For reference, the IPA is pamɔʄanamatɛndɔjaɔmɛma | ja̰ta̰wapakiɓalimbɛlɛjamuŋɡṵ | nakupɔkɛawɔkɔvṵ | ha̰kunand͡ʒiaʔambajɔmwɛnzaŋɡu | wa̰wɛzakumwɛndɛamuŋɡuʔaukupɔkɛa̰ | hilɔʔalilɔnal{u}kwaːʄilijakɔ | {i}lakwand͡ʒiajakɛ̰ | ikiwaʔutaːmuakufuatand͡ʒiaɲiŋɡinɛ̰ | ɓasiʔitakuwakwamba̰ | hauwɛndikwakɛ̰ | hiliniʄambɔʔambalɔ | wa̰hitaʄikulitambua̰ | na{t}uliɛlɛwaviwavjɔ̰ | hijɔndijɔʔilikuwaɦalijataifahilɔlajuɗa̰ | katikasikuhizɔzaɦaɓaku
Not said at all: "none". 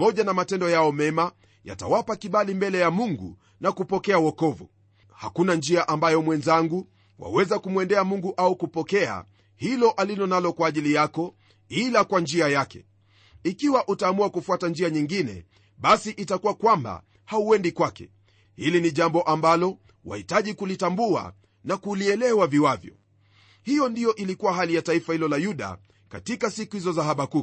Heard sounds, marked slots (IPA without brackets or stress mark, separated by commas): ɔ, i, k